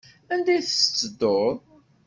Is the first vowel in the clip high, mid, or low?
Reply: low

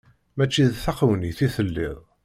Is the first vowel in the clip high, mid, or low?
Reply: low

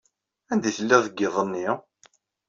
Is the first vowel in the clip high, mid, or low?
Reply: low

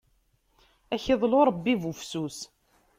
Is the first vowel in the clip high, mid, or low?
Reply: low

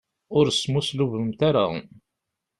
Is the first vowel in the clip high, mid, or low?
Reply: high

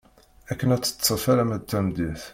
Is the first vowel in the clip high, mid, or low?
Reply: low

